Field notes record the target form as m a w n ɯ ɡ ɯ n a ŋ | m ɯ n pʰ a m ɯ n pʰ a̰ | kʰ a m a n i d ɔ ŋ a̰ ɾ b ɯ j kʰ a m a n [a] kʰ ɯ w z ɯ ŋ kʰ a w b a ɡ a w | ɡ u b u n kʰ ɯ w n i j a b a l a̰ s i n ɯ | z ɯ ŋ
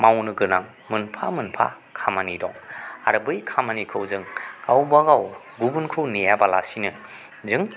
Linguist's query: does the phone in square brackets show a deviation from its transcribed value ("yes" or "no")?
yes